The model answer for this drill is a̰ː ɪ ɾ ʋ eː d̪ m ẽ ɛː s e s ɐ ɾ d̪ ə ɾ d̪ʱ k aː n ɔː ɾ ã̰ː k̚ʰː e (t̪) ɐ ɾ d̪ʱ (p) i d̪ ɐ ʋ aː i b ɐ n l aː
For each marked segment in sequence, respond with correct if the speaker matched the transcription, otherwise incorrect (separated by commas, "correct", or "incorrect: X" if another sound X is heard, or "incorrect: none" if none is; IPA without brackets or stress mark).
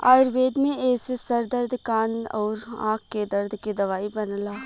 incorrect: d̪, incorrect: k